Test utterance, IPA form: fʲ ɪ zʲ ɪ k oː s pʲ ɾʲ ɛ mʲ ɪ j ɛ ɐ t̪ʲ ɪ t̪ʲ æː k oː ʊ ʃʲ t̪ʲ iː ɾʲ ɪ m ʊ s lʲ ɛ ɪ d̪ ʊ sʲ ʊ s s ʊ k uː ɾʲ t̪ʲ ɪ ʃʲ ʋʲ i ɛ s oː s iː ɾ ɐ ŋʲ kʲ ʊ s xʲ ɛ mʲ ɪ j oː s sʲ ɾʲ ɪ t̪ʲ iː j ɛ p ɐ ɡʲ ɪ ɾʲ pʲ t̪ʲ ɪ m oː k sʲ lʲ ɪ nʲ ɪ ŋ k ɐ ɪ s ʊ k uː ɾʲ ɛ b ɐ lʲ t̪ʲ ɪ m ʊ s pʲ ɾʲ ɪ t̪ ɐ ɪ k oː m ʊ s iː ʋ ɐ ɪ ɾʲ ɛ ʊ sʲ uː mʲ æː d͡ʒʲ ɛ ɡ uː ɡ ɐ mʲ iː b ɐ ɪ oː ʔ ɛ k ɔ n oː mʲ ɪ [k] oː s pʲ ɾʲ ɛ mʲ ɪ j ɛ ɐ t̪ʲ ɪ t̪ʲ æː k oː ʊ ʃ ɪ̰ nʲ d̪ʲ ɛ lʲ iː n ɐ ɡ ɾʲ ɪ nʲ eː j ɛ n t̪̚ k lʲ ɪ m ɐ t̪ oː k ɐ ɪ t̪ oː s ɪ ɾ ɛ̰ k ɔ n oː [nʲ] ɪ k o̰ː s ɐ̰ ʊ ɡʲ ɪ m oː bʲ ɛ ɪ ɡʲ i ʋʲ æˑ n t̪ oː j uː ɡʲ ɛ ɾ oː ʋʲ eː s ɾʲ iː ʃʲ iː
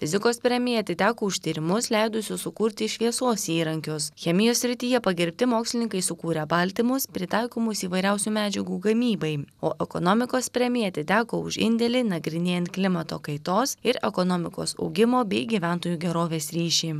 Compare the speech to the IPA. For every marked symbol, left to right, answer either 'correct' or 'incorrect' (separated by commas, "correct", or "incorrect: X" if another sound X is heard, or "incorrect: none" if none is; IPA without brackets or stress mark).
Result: correct, incorrect: mʲ